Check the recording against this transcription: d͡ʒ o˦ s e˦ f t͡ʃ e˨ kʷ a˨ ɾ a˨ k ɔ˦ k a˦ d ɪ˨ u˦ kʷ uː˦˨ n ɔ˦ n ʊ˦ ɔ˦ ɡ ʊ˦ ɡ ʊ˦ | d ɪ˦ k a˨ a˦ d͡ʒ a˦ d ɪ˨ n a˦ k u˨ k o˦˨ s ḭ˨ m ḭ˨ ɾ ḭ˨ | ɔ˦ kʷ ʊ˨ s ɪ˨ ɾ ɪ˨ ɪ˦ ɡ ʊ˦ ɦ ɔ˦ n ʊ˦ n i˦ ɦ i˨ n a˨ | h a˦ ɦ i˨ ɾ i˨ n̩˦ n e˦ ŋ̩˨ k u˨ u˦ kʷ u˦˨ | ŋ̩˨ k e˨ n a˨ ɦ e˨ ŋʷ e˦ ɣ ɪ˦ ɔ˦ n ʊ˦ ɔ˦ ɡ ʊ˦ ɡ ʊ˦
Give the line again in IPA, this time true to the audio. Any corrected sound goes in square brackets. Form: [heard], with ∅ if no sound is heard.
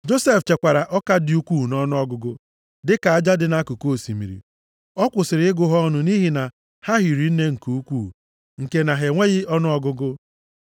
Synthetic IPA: d͡ʒ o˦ s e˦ f t͡ʃ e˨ kʷ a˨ ɾ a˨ [ʔ] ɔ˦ k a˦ d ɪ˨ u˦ kʷ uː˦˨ n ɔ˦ n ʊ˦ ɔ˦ ɡ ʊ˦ ɡ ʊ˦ | d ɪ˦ k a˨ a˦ d͡ʒ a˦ d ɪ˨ n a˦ k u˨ k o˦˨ s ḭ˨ m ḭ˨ ɾ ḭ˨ | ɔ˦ kʷ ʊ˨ s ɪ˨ ɾ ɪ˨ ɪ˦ ɡ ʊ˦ ɦ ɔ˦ n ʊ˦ n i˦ ɦ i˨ n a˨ | h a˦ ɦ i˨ ɾ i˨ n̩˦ n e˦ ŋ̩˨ k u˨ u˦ kʷ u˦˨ | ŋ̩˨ k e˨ n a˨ ɦ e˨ ŋʷ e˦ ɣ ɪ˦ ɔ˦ n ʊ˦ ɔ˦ ɡ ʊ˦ ɡ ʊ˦

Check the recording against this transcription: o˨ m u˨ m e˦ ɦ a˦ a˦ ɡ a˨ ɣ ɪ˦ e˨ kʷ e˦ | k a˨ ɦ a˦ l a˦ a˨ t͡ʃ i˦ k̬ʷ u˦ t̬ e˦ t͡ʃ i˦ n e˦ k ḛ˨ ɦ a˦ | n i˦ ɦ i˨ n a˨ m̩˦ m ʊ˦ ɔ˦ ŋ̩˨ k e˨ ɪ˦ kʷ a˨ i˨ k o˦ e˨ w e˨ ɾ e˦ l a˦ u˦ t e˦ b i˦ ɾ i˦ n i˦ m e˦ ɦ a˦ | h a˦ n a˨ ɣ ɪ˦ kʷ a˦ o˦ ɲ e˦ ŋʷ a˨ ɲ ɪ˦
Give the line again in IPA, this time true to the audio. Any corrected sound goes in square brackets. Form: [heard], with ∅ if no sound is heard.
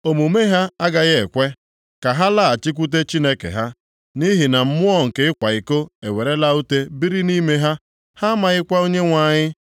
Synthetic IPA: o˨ m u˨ m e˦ ɦ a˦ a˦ ɡ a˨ ɣ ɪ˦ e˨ kʷ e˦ | k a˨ ɦ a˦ l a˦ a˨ t͡ʃ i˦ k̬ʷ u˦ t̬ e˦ t͡ʃ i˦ n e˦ k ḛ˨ ɦ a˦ | n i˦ ɦ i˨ n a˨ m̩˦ m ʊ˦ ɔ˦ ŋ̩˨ k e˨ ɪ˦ kʷ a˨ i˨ k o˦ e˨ w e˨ ɾ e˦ l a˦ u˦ t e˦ b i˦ ɾ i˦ n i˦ m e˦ ɦ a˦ | h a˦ [m] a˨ ɣ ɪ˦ kʷ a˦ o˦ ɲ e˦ ŋʷ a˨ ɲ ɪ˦

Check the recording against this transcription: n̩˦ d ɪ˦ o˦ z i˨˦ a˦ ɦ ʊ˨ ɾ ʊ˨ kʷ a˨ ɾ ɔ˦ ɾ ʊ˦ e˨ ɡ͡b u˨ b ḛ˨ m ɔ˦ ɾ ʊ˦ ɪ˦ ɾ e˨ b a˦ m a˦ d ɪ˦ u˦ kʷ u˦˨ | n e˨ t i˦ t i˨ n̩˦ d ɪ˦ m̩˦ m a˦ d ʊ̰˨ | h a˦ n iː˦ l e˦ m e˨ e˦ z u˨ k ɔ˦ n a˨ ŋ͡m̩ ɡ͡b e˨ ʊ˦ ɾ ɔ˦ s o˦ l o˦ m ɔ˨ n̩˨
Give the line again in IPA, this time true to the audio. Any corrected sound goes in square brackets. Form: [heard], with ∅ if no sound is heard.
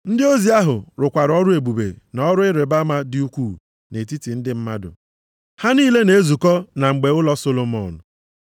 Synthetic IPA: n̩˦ d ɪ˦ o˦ z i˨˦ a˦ ɦ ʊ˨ ɾ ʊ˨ kʷ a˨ ɾ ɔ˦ ɾ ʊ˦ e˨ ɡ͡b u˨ b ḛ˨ [n] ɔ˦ ɾ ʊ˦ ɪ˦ ɾ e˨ b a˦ m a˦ d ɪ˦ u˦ kʷ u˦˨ | n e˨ t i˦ t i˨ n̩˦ d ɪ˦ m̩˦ m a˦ d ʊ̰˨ | h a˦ n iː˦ l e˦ [n] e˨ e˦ z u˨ k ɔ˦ n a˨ ŋ͡m̩ ɡ͡b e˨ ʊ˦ [l] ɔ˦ s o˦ l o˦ m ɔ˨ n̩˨

